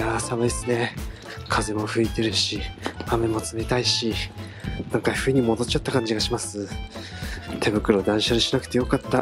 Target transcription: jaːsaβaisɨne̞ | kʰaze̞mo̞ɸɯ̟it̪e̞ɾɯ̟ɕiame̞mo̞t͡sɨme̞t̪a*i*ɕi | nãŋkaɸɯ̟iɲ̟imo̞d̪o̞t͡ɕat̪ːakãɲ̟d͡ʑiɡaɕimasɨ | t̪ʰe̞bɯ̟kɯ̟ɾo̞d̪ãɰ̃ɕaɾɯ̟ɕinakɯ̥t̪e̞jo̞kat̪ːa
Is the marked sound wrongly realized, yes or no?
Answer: no